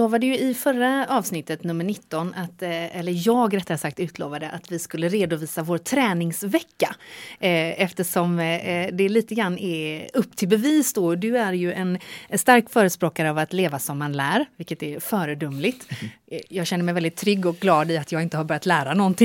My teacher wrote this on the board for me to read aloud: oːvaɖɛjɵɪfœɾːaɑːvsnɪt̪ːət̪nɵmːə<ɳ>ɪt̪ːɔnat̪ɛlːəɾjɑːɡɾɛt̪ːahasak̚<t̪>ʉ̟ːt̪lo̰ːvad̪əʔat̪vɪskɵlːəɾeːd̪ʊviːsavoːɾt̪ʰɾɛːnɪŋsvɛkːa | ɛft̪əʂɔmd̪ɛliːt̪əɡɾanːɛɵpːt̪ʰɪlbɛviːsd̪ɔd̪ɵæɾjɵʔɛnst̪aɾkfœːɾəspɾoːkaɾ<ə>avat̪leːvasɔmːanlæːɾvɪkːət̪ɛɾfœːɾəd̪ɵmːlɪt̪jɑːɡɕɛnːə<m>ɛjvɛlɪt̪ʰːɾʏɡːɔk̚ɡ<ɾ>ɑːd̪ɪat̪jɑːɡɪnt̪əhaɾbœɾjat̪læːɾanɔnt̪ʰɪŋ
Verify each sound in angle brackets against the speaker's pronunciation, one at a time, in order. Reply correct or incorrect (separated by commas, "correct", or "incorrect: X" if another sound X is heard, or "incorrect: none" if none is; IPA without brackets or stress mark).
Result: correct, correct, correct, correct, incorrect: l